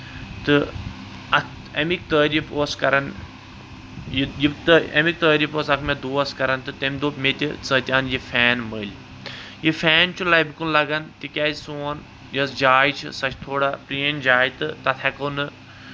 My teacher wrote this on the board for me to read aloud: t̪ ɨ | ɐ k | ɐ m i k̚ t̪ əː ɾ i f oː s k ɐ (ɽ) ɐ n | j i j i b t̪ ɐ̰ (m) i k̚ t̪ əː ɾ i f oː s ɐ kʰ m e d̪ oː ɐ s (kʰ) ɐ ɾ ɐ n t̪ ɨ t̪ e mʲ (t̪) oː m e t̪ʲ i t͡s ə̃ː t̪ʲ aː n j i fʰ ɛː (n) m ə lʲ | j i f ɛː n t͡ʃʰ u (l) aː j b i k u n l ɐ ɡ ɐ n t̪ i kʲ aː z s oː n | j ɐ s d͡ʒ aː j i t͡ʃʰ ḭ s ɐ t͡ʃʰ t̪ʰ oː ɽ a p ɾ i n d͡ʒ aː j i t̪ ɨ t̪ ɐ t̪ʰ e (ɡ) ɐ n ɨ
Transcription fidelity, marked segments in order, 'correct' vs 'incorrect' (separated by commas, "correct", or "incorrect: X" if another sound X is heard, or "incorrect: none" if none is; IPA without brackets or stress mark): incorrect: ɾ, correct, incorrect: k, incorrect: d̪, correct, correct, incorrect: k